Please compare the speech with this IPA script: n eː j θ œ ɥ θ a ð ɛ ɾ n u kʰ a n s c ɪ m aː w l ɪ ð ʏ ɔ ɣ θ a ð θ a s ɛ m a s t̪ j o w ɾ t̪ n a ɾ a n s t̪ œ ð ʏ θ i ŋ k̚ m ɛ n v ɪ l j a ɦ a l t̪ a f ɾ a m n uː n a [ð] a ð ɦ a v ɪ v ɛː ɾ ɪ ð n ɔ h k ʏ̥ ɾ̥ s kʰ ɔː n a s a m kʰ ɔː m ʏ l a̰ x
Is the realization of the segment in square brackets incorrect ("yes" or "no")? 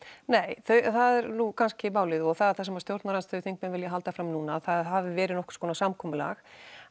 yes